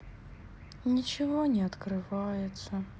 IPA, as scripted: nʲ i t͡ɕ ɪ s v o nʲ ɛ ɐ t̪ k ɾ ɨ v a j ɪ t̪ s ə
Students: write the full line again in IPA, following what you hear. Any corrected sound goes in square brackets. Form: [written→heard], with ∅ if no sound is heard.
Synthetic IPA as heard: nʲ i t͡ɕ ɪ [s→∅] v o nʲ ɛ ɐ t̪ k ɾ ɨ v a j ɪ t̪ s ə